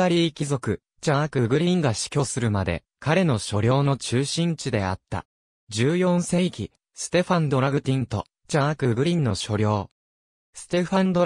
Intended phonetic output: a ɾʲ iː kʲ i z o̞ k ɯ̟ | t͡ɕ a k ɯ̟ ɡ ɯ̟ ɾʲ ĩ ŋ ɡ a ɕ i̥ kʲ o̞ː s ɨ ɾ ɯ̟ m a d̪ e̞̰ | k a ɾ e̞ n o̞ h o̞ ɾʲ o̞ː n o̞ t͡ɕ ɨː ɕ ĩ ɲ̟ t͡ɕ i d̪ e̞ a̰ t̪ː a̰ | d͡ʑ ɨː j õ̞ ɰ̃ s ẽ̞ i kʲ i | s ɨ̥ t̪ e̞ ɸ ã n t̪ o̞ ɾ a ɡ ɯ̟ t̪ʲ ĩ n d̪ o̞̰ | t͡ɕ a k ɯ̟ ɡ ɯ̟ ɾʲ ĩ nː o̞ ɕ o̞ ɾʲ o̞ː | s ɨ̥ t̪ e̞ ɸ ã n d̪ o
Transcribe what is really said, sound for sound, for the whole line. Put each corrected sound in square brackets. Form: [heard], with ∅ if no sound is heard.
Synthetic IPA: a ɾʲ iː kʲ i z o̞ k ɯ̟ | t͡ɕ a k ɯ̟ ɡ ɯ̟ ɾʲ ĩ ŋ ɡ a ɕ i̥ kʲ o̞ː s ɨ ɾ ɯ̟ m a d̪ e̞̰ | k a ɾ e̞ n o̞ [ɕ] o̞ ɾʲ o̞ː n o̞ t͡ɕ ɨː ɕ ĩ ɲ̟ t͡ɕ i d̪ e̞ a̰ t̪ː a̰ | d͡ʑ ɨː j õ̞ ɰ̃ s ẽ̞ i kʲ i | s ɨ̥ t̪ e̞ ɸ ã n [d̪] o̞ ɾ a ɡ ɯ̟ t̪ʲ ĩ n [t̪] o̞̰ | t͡ɕ a k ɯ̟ ɡ ɯ̟ ɾʲ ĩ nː o̞ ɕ o̞ ɾʲ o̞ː | s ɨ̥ t̪ e̞ ɸ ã n d̪ o